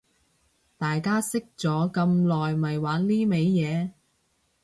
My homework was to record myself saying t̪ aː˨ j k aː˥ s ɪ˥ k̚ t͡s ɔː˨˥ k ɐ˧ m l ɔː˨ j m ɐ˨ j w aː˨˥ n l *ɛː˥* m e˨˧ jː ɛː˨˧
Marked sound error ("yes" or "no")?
yes